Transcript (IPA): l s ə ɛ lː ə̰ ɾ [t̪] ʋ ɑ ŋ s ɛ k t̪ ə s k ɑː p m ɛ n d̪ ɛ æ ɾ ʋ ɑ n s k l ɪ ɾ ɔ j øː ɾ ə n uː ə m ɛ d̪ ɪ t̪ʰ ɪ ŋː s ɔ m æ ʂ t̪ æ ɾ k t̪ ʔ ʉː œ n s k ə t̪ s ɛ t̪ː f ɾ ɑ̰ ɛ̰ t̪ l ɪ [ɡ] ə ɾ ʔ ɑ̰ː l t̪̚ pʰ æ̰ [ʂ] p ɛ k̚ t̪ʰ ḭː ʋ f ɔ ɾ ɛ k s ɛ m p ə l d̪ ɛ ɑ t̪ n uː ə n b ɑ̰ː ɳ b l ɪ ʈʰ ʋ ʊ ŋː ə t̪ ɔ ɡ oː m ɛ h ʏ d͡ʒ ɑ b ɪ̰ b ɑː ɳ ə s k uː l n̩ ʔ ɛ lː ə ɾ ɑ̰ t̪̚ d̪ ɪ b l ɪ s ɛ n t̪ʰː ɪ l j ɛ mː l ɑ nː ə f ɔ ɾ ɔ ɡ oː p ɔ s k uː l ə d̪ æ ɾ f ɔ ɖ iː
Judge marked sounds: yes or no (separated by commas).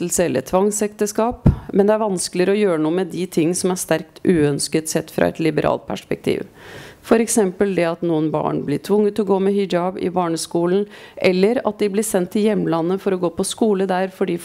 no, no, yes